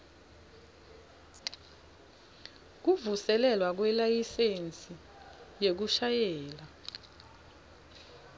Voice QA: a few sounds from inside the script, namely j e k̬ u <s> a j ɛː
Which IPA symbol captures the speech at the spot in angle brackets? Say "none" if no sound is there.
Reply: ʃ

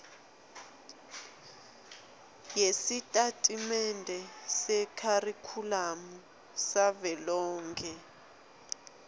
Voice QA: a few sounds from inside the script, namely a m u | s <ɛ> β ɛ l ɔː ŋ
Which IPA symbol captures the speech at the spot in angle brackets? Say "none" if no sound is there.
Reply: a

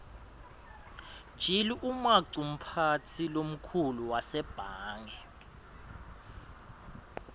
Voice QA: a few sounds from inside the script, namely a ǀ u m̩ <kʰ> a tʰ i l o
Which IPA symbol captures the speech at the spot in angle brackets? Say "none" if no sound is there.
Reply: pʰ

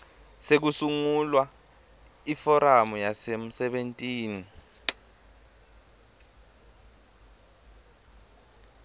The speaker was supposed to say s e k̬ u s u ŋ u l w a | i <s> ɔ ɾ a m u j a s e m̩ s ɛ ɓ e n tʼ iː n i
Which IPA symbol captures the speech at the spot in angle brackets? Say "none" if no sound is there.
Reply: f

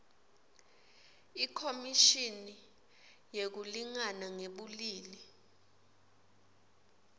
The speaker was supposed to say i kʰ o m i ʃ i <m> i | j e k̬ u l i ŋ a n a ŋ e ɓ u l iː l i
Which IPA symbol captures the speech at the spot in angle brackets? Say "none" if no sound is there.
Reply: n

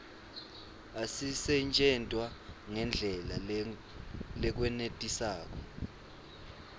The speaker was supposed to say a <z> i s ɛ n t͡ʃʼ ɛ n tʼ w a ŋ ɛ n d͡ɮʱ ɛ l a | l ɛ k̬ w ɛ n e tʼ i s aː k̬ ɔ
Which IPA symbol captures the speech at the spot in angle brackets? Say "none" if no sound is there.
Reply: s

